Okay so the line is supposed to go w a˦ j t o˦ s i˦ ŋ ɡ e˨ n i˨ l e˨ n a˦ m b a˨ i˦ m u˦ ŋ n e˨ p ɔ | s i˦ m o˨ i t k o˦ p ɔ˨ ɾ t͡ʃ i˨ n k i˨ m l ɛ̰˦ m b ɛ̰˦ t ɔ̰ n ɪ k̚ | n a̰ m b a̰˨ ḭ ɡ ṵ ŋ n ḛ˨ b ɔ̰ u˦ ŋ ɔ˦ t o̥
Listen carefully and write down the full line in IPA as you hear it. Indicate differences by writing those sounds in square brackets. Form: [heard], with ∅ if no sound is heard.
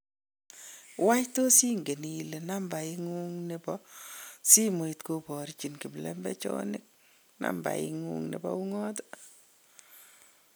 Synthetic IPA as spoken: w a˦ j t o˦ s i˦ ŋ ɡ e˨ n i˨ l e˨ n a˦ m b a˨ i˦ [ŋ] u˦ ŋ n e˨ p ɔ | s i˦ m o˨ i t k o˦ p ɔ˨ ɾ t͡ʃ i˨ n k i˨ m l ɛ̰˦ m b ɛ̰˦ [t͡ʃ] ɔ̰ n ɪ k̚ | n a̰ m b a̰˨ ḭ [ŋ] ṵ ŋ n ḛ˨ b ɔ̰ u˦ ŋ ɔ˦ t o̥